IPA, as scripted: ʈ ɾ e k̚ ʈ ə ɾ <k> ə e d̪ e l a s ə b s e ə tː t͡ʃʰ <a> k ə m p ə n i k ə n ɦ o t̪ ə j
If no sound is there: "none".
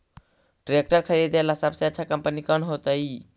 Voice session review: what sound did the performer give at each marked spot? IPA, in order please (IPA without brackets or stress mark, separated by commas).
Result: kʰ, a